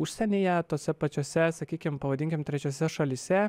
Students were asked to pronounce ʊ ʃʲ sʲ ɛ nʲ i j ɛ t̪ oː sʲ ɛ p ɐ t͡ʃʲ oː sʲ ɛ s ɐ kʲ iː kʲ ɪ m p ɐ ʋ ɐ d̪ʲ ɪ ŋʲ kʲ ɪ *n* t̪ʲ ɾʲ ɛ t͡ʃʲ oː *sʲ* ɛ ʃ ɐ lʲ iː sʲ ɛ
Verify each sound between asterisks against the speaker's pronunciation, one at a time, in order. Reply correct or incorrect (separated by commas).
incorrect, correct